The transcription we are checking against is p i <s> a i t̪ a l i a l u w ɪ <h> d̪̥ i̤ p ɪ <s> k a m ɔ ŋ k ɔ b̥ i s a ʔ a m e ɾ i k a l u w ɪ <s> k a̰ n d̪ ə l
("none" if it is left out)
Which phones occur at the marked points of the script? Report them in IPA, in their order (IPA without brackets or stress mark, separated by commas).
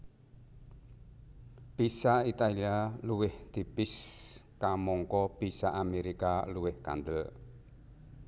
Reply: s, h, s, h